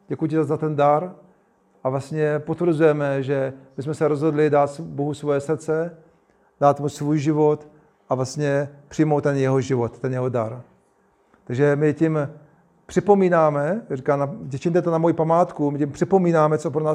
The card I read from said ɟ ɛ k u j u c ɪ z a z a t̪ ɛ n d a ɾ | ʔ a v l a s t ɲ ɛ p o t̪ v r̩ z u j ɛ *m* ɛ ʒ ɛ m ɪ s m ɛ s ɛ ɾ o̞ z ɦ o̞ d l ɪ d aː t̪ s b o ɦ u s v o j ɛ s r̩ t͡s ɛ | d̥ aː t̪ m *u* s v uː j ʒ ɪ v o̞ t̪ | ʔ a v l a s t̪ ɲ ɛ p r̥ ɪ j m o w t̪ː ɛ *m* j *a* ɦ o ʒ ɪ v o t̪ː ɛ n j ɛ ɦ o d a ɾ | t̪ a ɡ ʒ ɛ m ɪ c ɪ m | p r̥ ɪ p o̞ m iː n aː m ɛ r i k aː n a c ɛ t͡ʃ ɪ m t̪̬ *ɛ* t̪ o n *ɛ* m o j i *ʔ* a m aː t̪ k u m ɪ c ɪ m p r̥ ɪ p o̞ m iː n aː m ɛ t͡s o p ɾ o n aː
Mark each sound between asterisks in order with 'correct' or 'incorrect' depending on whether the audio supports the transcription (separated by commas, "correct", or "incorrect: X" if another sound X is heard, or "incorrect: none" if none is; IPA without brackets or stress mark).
correct, correct, incorrect: n, incorrect: ɛ, correct, incorrect: a, incorrect: p